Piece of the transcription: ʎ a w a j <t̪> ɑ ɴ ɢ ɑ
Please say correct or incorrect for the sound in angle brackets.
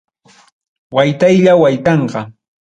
correct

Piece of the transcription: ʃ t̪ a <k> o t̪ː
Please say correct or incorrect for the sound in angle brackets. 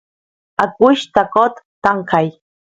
correct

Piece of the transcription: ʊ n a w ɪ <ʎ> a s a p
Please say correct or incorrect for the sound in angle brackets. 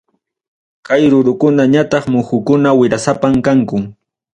incorrect: ɾ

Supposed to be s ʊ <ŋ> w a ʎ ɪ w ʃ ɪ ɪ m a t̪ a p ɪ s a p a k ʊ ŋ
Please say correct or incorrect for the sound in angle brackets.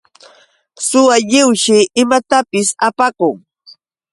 incorrect: none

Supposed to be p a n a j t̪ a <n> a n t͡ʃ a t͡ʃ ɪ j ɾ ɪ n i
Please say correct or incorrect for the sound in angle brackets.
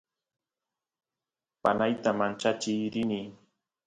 incorrect: m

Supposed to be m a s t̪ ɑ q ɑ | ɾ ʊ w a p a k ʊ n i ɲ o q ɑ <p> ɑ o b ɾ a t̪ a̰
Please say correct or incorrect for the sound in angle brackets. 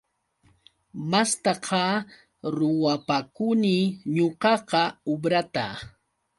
incorrect: q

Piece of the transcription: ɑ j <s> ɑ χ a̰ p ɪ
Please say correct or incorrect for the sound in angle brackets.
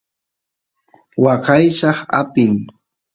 incorrect: ʃ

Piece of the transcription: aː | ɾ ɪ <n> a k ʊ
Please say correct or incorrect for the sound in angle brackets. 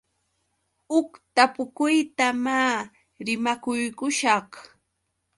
incorrect: m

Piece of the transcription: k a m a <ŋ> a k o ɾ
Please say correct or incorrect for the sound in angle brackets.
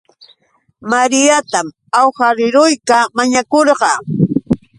incorrect: ɲ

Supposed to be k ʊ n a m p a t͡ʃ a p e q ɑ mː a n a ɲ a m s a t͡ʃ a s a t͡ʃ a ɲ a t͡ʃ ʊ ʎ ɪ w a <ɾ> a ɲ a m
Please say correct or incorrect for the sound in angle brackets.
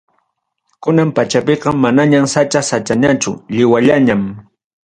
incorrect: ʎ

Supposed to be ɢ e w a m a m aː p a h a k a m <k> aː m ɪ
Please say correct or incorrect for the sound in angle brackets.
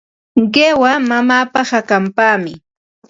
incorrect: p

